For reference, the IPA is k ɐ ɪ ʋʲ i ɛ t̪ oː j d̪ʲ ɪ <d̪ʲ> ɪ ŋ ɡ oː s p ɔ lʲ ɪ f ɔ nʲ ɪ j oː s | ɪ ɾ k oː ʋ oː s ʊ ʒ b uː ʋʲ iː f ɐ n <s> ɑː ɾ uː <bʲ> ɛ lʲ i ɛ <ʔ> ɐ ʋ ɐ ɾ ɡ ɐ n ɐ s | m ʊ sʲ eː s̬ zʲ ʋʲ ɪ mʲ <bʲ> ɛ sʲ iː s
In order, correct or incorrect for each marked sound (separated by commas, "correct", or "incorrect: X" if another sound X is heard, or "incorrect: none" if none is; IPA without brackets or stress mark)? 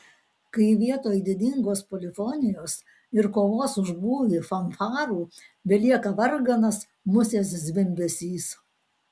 correct, incorrect: f, correct, incorrect: k, correct